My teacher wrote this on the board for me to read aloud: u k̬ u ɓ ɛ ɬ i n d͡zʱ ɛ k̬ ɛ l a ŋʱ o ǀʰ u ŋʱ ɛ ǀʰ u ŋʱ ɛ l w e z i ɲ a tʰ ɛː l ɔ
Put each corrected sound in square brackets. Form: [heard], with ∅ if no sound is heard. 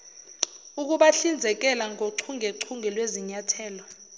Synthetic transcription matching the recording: u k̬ u ɓ [a] ɬ i n d͡zʱ ɛ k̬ ɛ l a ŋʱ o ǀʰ u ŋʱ ɛ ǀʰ u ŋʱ ɛ l w e z i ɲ a tʰ ɛː l ɔ